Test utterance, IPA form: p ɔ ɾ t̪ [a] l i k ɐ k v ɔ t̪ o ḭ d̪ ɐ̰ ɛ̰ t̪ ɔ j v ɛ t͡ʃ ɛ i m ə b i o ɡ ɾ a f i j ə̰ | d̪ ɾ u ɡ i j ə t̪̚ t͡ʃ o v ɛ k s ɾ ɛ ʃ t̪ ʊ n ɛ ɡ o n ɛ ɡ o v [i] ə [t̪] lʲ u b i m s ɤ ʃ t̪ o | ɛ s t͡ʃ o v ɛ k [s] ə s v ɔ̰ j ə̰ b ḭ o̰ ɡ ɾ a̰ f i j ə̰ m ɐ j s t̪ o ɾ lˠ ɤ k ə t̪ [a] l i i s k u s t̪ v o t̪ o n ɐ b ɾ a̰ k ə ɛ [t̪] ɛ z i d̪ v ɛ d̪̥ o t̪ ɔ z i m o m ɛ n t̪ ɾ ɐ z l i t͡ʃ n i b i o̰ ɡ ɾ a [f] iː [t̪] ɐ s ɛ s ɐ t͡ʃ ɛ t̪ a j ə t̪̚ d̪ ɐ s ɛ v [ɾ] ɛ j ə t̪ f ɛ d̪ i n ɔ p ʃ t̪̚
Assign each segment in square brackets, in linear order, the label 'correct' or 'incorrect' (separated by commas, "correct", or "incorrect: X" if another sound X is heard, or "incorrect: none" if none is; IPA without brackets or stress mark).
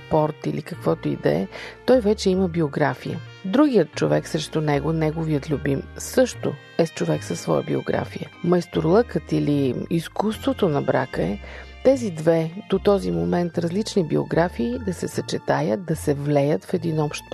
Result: incorrect: i, correct, correct, correct, incorrect: i, correct, correct, incorrect: d̪, incorrect: l